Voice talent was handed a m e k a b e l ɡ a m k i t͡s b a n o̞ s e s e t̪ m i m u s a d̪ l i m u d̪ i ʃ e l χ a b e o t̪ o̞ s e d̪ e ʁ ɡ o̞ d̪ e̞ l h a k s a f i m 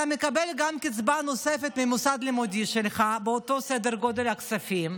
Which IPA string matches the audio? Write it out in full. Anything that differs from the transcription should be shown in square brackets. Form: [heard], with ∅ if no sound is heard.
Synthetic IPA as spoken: a m e k a b e l ɡ a m k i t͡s b a n o̞ s e [f] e t̪ m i m u s a d̪ l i m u d̪ i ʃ e l χ a b e o t̪ o̞ s e d̪ e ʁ ɡ o̞ d̪ e̞ l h a k s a f i m